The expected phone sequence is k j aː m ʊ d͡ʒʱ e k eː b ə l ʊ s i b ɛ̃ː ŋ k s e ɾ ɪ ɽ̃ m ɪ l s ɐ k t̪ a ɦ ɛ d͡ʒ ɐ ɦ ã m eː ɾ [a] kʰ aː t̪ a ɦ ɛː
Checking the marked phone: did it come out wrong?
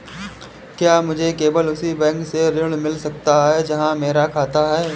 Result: no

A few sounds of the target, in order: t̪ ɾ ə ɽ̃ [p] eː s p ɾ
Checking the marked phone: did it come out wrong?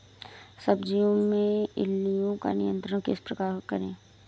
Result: yes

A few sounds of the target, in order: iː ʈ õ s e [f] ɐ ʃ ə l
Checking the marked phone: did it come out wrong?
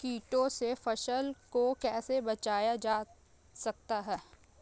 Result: no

